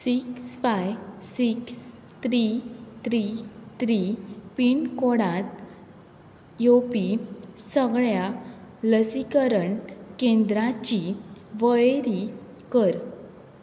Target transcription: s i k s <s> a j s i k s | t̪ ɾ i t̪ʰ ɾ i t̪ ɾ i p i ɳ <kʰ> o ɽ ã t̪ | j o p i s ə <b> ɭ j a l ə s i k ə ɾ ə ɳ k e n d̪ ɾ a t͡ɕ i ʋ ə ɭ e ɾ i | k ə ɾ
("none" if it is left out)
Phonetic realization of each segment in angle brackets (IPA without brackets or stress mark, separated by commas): f, k, ɡ